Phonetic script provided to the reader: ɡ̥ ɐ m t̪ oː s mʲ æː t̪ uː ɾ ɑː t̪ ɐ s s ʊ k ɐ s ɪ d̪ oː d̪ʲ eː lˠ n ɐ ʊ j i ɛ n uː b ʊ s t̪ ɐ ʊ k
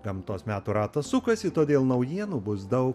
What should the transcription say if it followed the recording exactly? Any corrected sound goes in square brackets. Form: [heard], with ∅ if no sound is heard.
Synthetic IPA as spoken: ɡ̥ ɐ m t̪ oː s mʲ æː t̪ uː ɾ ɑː t̪ ɐ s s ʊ k ɐ s ɪ [t̪] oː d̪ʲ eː lˠ n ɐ ʊ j i ɛ n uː b ʊ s [d̪] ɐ ʊ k